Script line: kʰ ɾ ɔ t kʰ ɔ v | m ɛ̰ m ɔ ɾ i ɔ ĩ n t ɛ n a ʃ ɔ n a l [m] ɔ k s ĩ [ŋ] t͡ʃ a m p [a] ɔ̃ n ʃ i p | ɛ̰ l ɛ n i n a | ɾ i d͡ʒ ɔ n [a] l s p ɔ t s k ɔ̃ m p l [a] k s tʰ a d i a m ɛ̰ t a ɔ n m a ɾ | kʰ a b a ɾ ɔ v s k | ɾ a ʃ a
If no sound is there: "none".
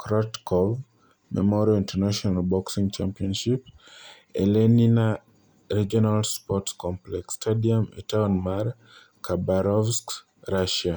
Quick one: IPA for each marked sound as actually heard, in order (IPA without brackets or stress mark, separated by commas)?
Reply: b, ŋ, i, a, ɛ